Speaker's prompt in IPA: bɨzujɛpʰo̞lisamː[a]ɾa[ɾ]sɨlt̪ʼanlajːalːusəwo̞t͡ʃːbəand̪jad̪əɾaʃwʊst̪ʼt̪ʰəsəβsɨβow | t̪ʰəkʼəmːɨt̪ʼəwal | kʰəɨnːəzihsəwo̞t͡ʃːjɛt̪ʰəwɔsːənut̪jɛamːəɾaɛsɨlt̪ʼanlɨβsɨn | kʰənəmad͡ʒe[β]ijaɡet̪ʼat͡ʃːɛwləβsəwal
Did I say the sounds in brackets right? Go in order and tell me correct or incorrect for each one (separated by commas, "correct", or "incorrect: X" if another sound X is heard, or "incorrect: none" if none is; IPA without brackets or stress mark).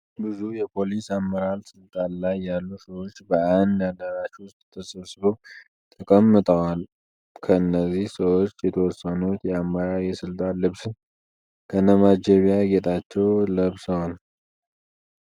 incorrect: ə, incorrect: l, correct